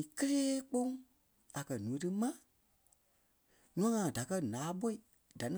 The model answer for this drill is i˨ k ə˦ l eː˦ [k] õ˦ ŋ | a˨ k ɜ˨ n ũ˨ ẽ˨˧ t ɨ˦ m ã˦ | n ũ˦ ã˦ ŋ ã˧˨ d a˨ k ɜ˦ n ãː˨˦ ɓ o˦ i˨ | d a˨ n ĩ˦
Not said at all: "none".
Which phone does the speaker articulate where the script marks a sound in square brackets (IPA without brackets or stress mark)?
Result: k͡p